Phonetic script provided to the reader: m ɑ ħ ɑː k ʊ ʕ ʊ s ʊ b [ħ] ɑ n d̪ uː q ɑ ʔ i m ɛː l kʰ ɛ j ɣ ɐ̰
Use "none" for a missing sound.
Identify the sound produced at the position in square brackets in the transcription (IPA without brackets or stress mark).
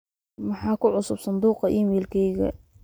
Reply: s